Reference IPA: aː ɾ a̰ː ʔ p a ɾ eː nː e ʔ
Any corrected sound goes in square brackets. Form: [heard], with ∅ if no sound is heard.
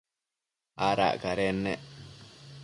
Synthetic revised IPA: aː ɾ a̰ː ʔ [k] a ɾ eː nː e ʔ